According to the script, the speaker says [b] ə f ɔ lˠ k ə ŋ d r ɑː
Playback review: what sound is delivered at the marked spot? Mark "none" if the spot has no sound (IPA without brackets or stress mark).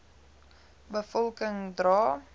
b